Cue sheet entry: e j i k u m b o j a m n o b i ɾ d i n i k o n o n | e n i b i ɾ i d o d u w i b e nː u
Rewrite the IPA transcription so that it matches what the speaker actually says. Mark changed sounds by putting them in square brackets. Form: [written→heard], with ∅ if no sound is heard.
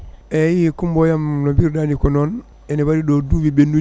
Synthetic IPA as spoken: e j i k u m b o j a m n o b i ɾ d [i→a] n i k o n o n | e n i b [i→a] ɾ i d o d u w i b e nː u